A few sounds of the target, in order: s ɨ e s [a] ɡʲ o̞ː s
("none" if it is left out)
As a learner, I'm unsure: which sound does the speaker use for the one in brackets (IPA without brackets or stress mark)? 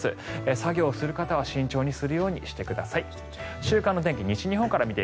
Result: a